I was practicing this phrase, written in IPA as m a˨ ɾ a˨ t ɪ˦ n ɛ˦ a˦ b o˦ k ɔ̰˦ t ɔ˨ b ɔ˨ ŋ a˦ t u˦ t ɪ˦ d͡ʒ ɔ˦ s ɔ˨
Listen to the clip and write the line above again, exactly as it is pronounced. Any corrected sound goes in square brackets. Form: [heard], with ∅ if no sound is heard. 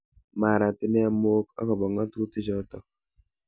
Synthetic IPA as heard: m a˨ ɾ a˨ t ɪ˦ n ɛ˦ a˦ [m] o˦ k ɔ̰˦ [k] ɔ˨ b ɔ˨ ŋ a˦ t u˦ t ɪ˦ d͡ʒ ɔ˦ [t] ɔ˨